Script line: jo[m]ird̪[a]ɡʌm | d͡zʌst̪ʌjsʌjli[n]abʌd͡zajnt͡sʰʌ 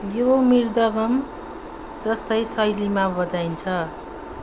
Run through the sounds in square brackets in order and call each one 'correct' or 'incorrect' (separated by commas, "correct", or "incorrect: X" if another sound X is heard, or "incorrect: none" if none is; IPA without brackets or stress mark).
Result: correct, incorrect: ʌ, incorrect: m